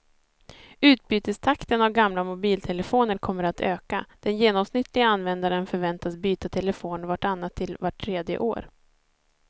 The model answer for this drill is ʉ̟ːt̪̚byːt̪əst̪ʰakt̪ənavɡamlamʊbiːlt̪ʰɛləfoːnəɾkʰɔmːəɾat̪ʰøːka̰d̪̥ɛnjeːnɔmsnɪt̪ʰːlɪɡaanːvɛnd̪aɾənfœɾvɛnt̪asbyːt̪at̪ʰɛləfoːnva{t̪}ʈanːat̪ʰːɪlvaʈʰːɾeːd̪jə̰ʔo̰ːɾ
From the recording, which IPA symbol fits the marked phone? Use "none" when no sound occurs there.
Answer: none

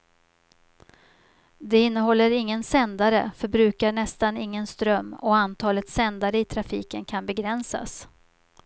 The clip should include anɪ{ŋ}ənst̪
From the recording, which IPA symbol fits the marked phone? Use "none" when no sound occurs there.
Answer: ŋː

